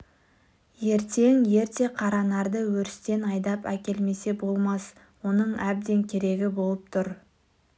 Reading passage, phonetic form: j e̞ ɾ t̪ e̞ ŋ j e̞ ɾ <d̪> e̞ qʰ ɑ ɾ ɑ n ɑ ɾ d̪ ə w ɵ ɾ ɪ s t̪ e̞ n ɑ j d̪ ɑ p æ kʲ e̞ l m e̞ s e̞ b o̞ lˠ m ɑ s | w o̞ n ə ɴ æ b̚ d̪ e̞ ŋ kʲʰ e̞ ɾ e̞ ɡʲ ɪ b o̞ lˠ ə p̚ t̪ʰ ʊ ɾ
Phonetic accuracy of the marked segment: incorrect: t̪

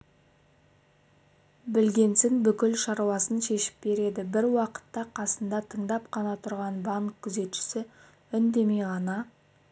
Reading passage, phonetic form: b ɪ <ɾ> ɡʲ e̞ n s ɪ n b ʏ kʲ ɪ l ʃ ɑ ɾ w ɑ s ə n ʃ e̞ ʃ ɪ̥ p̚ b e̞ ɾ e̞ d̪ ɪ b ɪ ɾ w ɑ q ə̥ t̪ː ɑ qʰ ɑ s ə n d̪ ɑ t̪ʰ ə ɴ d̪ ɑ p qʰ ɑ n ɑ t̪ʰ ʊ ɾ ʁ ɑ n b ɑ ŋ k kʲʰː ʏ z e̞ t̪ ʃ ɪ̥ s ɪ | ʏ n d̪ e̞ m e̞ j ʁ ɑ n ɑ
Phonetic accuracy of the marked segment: incorrect: l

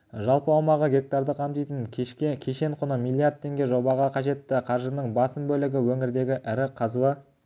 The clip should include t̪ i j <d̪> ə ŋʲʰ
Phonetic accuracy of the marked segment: incorrect: t̪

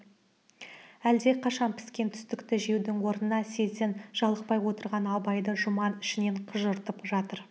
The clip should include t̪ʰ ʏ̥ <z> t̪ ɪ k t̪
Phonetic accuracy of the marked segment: incorrect: s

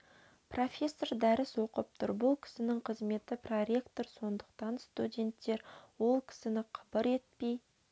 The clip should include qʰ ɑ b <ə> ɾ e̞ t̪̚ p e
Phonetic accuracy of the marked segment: correct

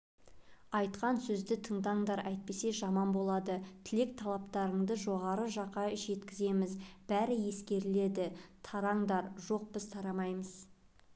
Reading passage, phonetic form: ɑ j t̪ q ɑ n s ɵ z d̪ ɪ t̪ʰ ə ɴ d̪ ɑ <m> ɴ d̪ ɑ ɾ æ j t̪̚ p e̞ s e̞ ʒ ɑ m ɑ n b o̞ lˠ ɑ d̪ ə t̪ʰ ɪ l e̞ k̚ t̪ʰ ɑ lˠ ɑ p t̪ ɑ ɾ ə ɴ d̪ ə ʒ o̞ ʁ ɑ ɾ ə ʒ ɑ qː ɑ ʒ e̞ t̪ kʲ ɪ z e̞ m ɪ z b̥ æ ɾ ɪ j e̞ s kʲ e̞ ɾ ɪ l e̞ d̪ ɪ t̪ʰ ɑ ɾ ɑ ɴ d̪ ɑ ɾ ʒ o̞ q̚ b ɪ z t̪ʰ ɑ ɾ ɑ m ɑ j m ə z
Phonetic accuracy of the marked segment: incorrect: none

